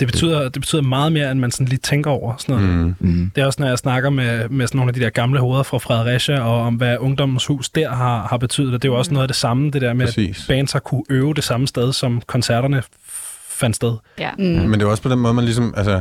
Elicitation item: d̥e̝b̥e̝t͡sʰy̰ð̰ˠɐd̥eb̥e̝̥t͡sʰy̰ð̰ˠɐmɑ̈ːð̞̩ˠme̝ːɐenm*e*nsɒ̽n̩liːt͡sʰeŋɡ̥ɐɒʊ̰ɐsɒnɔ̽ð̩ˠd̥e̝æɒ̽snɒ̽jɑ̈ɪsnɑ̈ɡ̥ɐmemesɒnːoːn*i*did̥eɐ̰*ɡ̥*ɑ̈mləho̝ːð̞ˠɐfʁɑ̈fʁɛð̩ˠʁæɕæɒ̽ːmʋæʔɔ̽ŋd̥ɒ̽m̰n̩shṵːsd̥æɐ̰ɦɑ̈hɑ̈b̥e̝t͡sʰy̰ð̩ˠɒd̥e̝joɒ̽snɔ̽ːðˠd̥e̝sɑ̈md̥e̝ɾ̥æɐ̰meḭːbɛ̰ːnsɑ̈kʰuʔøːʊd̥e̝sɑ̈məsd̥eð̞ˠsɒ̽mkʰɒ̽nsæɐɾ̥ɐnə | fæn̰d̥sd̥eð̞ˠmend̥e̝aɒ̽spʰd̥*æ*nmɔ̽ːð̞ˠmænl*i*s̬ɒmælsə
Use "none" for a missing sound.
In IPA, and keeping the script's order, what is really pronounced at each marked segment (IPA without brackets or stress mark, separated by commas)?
æ, æ, ɡ̥, e, i